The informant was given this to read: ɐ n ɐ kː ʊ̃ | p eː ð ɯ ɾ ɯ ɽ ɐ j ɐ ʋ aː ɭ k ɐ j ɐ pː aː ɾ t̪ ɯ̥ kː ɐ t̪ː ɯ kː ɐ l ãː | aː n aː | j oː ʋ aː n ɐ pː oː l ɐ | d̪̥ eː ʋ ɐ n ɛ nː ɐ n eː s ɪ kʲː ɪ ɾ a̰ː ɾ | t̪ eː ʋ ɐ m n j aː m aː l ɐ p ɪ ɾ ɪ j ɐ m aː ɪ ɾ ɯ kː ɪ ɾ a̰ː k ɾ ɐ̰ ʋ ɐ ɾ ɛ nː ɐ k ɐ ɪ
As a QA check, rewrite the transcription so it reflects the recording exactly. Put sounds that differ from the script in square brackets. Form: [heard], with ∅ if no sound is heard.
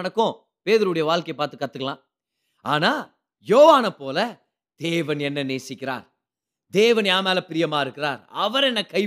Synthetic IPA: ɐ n ɐ kː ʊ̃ | p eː ð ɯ ɾ ɯ ɽ ɐ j ɐ ʋ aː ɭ k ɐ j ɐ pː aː ɾ t̪ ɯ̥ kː ɐ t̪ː ɯ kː ɐ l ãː | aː n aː | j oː ʋ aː n ɐ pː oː l ɐ | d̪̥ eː ʋ ɐ n ɛ nː ɐ n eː s ɪ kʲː ɪ ɾ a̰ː ɾ | [d̪] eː ʋ ɐ [∅] n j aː m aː l ɐ p ɪ ɾ ɪ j ɐ m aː ɪ ɾ ɯ kː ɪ ɾ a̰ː [∅] ɾ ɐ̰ ʋ ɐ ɾ ɛ nː ɐ k ɐ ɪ